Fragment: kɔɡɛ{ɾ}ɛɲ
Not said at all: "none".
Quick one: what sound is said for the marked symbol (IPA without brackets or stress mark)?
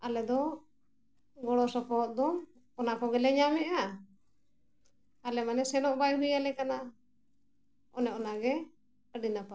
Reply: l